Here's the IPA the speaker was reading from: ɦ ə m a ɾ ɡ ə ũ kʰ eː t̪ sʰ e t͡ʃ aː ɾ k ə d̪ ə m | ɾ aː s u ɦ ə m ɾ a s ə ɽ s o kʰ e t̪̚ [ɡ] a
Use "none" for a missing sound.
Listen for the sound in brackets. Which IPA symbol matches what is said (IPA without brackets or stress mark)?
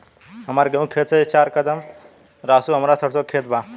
b